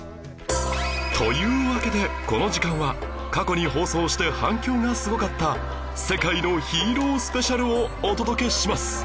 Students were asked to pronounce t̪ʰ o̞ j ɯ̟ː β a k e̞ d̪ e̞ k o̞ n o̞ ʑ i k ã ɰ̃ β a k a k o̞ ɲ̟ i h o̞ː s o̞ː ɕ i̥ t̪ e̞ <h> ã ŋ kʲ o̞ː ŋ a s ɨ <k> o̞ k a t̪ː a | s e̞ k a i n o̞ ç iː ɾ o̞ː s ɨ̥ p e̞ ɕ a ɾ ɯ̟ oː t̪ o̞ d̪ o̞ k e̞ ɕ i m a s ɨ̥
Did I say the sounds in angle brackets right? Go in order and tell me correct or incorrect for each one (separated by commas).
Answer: correct, incorrect